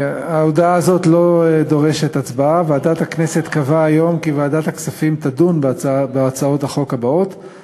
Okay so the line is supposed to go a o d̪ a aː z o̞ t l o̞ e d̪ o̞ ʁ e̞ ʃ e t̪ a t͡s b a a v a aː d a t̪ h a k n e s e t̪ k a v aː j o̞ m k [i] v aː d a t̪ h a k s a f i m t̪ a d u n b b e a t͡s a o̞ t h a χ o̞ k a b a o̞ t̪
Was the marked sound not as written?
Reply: no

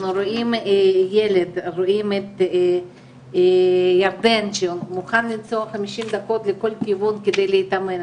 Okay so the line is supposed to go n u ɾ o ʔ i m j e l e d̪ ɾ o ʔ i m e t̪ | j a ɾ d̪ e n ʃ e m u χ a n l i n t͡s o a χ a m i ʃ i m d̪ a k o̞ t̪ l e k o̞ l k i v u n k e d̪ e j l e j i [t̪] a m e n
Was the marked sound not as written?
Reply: no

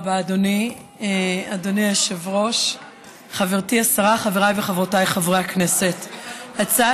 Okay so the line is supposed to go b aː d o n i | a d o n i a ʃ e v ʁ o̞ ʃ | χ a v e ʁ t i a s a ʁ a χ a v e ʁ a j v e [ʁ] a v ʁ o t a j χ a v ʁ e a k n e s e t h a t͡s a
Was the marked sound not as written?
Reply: yes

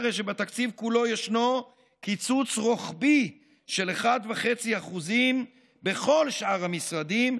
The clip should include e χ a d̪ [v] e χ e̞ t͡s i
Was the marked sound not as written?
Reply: no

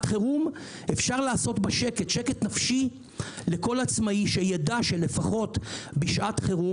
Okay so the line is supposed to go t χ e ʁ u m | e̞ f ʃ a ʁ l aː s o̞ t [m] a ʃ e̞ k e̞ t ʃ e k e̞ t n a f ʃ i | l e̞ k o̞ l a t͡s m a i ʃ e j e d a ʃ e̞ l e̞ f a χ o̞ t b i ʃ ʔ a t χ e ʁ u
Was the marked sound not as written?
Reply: yes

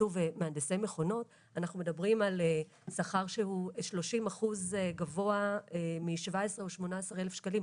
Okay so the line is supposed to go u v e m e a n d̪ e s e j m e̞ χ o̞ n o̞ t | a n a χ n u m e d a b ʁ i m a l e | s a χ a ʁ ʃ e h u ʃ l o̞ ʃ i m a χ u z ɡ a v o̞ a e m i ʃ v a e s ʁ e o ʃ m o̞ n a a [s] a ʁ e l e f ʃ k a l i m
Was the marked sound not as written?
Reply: no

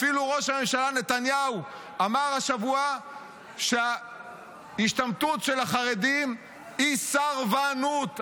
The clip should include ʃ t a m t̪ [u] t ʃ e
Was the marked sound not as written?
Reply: no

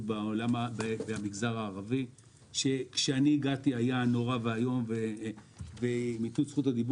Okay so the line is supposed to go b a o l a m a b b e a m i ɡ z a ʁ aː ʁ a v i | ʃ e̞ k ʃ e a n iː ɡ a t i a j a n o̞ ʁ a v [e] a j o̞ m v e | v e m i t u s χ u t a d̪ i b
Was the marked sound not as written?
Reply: no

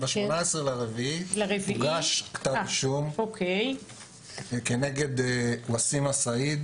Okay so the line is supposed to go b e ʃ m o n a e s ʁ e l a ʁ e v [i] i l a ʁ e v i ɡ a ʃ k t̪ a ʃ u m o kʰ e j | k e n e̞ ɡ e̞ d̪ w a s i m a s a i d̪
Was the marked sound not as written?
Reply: no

